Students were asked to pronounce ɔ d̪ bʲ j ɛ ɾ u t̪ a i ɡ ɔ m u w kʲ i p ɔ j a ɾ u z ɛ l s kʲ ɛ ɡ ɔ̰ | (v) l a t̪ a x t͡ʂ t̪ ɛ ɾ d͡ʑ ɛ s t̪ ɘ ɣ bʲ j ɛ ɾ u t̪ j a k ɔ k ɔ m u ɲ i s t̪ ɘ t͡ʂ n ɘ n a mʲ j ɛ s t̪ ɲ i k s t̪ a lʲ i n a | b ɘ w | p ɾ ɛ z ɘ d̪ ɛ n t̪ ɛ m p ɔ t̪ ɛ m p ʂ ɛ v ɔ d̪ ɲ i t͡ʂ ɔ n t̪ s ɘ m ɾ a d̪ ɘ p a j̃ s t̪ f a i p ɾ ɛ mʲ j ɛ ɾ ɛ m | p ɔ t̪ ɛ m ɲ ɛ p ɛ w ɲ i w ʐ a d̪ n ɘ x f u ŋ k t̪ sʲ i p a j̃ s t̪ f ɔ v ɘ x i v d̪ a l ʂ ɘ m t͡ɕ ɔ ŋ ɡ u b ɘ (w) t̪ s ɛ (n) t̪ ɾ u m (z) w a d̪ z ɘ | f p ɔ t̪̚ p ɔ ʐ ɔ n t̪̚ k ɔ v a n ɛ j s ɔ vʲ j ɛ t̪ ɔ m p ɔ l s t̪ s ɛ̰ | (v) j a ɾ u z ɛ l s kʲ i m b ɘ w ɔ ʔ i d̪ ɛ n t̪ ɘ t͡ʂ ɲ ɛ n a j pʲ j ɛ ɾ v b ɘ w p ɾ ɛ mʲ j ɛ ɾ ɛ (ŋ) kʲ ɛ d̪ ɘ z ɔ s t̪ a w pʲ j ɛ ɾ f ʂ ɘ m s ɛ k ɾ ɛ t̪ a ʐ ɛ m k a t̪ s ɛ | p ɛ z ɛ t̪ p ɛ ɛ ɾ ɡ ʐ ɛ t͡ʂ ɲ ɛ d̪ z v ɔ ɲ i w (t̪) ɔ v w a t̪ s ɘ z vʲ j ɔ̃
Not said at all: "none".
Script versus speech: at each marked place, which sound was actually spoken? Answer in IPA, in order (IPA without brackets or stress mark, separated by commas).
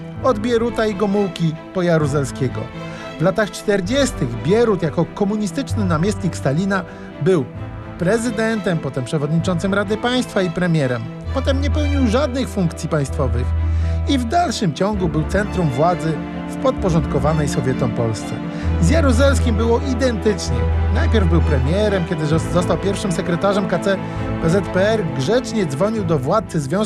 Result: v, w, n, v, z, m, d̪